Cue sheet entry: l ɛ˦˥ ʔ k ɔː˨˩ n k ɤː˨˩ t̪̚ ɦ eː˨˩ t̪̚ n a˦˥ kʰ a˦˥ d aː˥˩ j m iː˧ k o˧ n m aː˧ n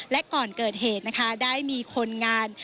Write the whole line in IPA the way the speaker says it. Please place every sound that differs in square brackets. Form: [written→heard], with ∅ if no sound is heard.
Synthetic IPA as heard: l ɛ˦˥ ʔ k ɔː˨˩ n k ɤː˨˩ t̪̚ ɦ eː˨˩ t̪̚ n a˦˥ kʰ a˦˥ d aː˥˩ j m iː˧ [k→kʰ] o˧ n [m→ŋ] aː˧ n